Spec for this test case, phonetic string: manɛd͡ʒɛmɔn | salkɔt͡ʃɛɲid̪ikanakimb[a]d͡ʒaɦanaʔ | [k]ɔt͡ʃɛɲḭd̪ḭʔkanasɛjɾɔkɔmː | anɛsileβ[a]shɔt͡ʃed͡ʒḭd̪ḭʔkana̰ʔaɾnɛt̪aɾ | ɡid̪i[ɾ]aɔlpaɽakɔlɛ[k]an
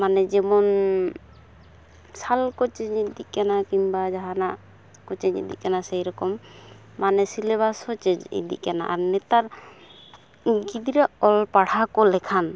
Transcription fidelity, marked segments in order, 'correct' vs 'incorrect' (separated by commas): correct, correct, correct, correct, incorrect